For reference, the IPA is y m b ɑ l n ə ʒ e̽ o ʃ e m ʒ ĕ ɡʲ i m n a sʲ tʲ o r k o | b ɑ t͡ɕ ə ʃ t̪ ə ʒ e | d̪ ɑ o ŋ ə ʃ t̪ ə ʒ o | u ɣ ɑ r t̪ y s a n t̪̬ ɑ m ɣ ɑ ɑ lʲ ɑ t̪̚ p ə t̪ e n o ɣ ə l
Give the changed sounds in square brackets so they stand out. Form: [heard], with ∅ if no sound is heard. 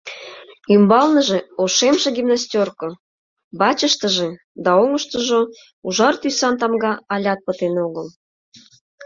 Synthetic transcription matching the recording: y m b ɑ l n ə ʒ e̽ o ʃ e m ʒ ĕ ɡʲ i m n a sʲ tʲ o r k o | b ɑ t͡ɕ ə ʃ t̪ ə ʒ e | d̪ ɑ o ŋ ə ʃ t̪ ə ʒ o | u [ʒ] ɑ r t̪ y s [ɑ] n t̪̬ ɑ m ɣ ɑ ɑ lʲ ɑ t̪̚ p ə t̪ e n o ɣ ə l